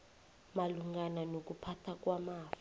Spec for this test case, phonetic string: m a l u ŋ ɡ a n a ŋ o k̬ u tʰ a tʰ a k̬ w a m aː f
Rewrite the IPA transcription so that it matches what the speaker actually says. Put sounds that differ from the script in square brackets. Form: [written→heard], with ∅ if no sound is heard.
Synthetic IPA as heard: m a l u ŋ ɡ a n a [ŋ→n] o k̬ u [tʰ→pʰ] a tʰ a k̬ w a m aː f